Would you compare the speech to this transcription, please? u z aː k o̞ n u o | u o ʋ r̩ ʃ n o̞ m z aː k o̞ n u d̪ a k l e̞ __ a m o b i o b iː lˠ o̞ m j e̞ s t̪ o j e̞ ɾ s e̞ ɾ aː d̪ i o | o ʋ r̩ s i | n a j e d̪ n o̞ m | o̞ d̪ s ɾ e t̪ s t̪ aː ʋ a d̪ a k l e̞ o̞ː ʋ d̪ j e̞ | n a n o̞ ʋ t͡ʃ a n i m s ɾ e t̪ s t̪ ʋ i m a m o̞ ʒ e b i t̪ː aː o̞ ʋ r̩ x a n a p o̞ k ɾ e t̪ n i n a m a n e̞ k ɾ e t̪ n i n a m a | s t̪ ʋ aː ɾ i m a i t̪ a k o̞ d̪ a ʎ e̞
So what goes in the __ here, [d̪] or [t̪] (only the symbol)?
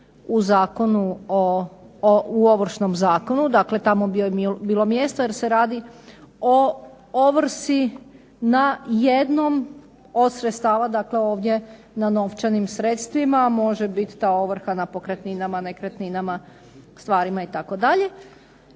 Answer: t̪